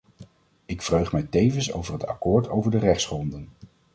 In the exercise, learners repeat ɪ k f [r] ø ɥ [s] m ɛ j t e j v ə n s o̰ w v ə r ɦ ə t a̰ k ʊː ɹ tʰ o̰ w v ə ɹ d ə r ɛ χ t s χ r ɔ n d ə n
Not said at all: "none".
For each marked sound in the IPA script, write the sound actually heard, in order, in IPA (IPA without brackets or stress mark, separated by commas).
r, χ